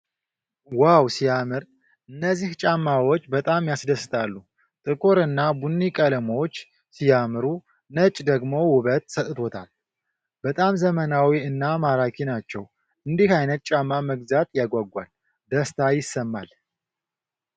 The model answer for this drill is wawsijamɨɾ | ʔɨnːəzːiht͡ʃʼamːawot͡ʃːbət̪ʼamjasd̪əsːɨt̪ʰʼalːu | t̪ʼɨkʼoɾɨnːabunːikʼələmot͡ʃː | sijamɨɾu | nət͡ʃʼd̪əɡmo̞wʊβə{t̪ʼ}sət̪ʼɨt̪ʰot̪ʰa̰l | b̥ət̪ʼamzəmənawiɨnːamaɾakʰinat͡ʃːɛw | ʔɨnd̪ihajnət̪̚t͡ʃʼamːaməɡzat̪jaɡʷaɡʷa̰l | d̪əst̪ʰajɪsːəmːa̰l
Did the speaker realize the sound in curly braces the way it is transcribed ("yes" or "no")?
no